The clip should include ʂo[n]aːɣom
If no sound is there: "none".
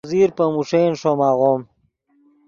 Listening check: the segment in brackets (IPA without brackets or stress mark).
m